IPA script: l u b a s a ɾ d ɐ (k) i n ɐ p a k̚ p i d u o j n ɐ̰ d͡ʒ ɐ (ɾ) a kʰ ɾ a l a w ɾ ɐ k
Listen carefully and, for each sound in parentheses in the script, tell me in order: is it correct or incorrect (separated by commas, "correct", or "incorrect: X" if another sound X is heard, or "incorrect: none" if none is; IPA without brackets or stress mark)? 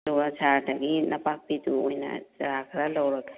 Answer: incorrect: ɡ, correct